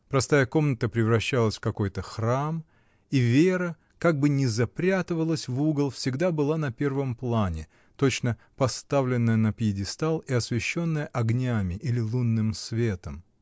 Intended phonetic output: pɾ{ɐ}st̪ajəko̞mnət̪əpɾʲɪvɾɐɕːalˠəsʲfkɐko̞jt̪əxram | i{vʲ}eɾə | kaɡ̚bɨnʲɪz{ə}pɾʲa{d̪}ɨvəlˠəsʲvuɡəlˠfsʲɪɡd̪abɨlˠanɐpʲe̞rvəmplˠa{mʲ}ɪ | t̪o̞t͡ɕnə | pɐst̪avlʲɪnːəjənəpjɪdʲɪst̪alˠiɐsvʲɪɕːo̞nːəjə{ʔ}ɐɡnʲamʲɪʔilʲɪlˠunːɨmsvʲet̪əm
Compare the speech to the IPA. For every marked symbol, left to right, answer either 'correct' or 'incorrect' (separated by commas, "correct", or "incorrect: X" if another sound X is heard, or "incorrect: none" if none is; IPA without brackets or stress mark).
correct, correct, incorrect: ɐ, incorrect: t̪, incorrect: nʲ, correct